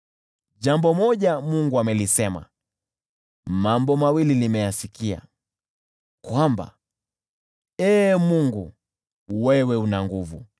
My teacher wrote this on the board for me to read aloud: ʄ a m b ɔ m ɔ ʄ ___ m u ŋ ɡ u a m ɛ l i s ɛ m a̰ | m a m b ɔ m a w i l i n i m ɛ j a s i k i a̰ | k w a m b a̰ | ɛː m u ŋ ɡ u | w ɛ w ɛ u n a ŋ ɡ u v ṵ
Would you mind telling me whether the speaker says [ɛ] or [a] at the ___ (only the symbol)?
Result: a